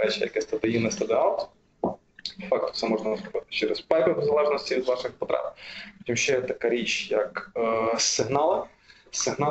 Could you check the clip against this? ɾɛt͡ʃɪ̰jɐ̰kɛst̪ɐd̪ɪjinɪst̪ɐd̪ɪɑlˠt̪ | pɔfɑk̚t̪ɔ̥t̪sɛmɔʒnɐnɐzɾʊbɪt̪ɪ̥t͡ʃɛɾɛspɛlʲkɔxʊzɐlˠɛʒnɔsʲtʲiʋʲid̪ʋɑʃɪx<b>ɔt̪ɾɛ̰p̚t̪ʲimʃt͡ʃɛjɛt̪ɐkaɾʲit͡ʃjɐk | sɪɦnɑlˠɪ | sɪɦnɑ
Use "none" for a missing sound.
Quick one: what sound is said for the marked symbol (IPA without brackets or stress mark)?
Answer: p